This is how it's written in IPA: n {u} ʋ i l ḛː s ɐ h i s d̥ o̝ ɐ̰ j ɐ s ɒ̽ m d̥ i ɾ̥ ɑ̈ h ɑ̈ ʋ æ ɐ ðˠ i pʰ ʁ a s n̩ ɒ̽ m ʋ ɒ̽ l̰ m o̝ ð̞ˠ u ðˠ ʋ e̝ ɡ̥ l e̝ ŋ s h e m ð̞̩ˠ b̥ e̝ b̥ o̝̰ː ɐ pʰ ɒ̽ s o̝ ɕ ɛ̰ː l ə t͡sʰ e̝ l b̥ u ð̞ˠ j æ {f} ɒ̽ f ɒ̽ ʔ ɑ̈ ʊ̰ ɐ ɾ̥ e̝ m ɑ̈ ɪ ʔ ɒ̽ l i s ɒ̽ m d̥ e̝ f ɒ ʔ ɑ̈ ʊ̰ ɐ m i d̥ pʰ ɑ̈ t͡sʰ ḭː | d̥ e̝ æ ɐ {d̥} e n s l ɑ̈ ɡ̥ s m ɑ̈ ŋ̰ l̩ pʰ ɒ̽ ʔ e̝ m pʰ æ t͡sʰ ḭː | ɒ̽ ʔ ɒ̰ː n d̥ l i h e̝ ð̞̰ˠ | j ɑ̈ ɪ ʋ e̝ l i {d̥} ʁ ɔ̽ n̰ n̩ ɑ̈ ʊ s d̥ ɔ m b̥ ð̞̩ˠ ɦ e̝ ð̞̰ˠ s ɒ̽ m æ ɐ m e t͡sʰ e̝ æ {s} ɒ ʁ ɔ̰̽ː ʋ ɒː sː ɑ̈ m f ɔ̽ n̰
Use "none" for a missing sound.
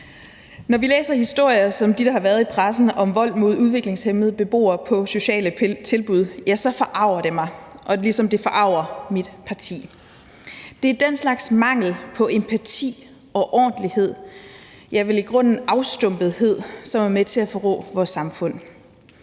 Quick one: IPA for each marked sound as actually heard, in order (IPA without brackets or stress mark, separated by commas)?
ɒ, s, d̥, ɡ̥, f